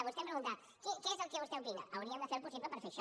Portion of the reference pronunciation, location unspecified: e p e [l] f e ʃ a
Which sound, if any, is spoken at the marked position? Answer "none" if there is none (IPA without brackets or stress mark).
ɾ